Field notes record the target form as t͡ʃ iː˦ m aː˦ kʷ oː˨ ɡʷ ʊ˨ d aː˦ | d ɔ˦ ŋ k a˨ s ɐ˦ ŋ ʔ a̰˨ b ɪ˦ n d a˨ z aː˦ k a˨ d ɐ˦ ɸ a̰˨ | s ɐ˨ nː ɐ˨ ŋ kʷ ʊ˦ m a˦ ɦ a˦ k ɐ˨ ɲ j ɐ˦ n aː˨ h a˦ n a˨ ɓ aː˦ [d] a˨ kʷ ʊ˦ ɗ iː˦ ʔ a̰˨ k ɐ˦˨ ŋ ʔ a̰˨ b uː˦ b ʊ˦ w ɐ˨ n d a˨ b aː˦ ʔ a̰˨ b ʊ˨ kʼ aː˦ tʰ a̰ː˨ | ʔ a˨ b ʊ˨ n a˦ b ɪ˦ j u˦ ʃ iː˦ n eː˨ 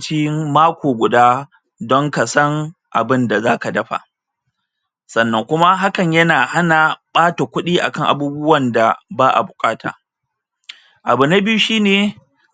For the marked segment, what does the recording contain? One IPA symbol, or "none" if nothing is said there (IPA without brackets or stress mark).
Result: t